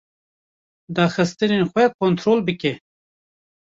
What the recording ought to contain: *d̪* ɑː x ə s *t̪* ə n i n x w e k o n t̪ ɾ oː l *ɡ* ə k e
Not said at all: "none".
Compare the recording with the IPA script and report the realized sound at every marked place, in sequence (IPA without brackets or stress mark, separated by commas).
d̪, t̪, b